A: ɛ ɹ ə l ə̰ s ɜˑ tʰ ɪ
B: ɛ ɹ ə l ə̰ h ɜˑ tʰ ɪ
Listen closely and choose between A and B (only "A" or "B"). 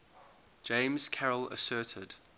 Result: A